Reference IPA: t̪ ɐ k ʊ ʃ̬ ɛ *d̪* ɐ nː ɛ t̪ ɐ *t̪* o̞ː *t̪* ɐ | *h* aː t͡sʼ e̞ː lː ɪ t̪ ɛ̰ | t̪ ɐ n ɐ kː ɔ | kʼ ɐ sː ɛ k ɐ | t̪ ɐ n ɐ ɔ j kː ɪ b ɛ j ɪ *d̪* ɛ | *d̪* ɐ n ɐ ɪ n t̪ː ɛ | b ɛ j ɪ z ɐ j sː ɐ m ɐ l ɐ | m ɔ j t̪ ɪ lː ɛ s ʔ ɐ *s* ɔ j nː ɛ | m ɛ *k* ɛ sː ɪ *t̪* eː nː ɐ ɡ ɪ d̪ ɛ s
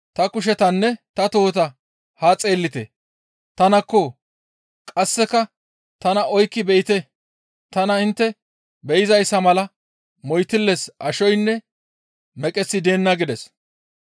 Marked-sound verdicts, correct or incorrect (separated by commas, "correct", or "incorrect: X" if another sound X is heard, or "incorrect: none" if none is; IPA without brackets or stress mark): incorrect: t̪, correct, correct, correct, incorrect: t̪, incorrect: t̪, incorrect: ʃ, incorrect: kʼ, incorrect: d̪